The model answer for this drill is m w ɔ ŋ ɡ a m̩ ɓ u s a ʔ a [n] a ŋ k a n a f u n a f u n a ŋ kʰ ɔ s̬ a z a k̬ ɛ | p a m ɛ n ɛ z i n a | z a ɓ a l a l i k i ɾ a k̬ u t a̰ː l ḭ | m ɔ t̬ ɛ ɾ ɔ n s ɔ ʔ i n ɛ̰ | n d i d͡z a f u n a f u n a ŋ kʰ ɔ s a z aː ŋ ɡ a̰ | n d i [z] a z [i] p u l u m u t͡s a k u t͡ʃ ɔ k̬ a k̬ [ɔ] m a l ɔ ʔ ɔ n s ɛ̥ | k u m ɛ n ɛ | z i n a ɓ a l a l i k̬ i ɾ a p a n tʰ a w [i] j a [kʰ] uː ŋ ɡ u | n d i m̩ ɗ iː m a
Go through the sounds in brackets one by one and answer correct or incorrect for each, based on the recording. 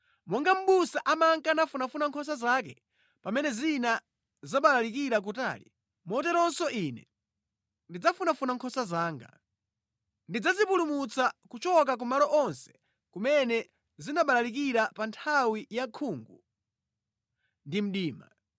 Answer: incorrect: m, incorrect: d͡z, correct, incorrect: u, correct, correct

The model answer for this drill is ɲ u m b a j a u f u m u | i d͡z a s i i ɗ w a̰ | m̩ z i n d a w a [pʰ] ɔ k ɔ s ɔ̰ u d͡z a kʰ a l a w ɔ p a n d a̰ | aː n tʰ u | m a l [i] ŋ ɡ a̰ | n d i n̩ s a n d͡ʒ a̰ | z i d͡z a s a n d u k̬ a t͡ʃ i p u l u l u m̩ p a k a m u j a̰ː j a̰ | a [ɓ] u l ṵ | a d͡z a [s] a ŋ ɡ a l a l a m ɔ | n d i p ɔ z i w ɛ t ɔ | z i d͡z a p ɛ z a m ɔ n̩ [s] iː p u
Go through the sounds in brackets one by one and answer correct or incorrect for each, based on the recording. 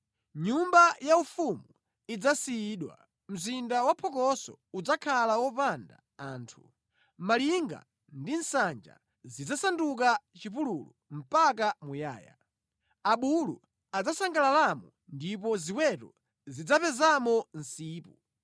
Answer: correct, correct, correct, correct, correct

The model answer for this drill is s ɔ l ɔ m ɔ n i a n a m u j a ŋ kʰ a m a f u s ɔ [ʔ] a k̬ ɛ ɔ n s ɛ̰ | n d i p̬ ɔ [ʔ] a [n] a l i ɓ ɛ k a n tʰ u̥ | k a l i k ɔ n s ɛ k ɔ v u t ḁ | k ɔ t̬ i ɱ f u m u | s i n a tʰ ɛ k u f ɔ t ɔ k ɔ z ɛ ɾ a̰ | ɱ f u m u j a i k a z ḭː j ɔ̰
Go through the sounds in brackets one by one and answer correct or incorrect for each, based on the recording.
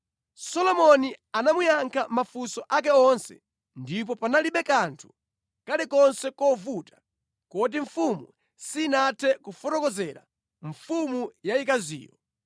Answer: correct, incorrect: p, correct

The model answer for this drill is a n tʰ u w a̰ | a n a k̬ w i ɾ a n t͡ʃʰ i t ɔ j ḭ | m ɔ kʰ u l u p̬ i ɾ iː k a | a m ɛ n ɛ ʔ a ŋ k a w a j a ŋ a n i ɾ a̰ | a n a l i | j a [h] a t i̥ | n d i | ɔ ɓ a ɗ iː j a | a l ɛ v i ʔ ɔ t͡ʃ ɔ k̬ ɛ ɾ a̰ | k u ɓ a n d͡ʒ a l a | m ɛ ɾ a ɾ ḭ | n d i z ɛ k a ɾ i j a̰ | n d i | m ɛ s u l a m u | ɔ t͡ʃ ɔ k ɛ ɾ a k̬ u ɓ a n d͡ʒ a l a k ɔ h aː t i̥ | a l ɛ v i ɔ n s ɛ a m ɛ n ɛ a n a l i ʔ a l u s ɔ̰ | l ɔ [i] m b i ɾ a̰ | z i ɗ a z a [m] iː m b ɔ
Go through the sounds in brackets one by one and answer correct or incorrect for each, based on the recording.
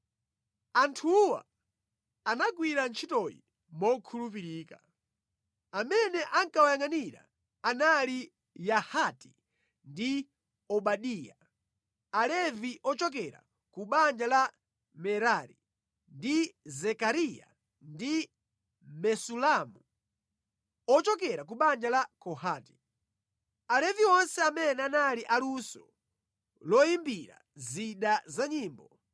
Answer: correct, correct, incorrect: ɲ

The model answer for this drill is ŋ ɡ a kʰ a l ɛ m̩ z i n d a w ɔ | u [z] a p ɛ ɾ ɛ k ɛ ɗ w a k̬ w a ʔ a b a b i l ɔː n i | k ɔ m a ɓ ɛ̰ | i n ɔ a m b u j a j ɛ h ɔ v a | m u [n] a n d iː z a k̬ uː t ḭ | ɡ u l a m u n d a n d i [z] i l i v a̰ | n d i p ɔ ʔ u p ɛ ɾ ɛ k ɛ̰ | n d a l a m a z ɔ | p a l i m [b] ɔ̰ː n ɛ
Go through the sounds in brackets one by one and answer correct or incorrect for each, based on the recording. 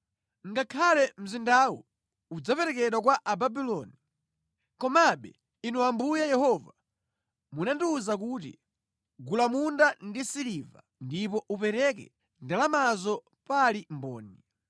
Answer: incorrect: d͡z, correct, incorrect: s, correct

